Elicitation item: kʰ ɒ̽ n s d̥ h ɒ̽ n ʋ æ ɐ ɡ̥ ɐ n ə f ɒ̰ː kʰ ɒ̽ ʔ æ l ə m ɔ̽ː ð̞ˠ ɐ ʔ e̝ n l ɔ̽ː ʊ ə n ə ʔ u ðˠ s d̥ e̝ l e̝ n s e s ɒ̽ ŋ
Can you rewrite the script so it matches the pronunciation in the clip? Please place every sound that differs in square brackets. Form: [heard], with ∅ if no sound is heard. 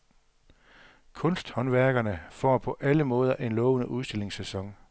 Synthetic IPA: kʰ [ɔ̽] n s d̥ h ɒ̽ n ʋ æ ɐ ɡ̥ ɐ n ə f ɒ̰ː [pʰ] ɒ̽ ʔ æ l ə m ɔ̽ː ð̞ˠ ɐ ʔ e̝ n l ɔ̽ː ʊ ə n ə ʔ u ðˠ s d̥ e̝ l e̝ [ŋ] s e s ɒ̽ ŋ